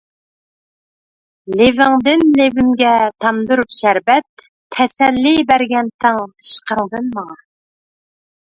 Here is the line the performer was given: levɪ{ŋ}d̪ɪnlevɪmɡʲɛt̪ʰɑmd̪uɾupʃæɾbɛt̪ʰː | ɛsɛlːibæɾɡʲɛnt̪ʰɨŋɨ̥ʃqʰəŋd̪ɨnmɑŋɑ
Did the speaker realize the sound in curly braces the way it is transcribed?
yes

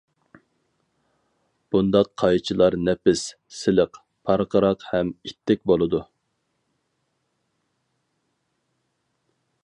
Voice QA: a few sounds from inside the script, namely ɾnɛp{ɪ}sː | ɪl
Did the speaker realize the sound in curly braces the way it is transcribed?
yes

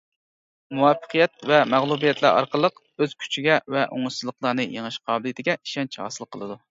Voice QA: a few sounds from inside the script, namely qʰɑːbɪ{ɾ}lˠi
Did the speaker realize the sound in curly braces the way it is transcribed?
no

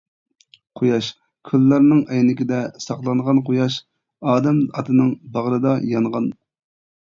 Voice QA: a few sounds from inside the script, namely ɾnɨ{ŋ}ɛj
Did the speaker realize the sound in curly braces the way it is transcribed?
yes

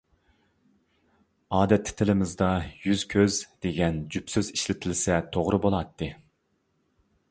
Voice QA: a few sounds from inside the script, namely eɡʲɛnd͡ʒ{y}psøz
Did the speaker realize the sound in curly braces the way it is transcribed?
yes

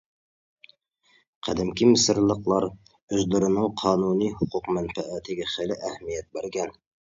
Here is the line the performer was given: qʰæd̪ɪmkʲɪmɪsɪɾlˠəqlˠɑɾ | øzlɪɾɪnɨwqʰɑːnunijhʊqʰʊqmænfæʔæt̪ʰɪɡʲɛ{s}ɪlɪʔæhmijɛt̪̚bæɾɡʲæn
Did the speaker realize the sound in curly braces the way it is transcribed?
no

